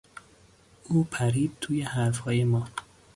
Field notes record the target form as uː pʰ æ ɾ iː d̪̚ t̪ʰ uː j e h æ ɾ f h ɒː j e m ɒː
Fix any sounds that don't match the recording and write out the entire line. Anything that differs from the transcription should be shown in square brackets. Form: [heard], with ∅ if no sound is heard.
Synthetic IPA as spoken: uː pʰ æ ɾ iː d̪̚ t̪ʰ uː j e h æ ɾ f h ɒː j e m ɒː

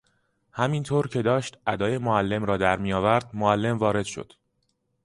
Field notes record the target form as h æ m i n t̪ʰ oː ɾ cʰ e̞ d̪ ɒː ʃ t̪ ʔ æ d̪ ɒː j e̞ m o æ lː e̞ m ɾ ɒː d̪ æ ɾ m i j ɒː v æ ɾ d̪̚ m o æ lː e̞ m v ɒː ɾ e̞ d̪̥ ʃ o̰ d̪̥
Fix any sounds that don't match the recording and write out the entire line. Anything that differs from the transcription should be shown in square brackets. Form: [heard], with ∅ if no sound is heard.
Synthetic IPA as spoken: h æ m i n t̪ʰ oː ɾ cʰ e̞ d̪ ɒː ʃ t̪ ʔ æ d̪ ɒː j e̞ m o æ lː e̞ m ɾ ɒː d̪ æ ɾ m i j ɒː v æ ɾ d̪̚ m o æ lː e̞ m v ɒː ɾ e̞ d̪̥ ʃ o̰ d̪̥

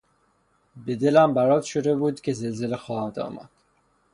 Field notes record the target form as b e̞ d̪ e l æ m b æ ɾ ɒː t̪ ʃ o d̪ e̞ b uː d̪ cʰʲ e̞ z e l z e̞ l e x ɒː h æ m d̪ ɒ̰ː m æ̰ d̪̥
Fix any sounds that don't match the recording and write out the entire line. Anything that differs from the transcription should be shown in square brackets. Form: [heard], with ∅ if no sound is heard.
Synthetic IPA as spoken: b e̞ d̪ e l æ m b æ ɾ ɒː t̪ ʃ o d̪ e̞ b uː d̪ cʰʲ e̞ z e l z e̞ l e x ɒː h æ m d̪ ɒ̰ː m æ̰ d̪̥

